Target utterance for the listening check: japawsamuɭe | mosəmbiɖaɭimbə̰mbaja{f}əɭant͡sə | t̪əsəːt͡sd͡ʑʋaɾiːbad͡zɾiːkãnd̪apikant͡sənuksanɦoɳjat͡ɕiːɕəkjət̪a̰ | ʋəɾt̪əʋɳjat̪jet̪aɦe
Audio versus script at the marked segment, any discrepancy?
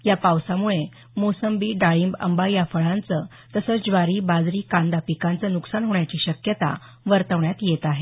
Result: no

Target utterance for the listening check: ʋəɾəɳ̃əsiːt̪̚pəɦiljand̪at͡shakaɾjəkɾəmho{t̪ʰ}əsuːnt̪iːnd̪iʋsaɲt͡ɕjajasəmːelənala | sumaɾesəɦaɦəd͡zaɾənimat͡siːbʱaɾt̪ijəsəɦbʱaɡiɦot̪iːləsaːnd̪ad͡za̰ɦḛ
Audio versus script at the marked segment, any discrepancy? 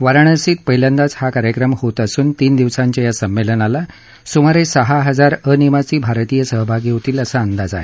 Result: yes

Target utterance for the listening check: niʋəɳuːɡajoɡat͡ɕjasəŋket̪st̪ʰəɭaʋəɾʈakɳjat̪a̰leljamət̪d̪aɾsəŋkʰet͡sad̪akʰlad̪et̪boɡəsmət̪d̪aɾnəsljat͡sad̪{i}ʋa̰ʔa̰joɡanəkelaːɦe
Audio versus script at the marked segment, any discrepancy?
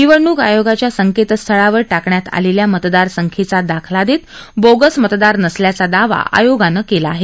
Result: yes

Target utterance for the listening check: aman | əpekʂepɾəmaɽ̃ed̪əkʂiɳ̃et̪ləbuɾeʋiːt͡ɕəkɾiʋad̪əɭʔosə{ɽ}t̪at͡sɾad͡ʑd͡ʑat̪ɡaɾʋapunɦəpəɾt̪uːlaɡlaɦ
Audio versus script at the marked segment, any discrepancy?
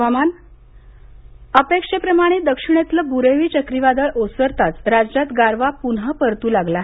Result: yes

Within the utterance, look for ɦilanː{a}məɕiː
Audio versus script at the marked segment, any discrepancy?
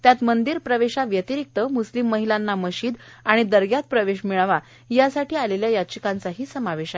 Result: no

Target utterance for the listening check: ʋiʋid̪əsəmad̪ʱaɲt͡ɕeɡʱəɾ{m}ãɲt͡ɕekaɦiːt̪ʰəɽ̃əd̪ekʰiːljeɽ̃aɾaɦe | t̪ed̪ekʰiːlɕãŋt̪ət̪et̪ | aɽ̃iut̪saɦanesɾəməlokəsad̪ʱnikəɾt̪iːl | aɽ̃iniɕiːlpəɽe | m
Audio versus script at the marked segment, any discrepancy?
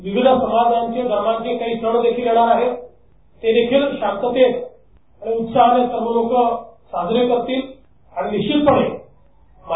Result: no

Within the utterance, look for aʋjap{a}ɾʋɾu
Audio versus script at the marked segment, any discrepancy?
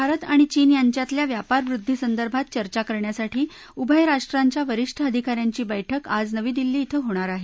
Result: no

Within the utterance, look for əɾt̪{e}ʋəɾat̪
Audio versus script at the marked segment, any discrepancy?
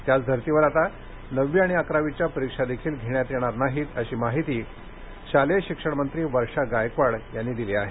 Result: yes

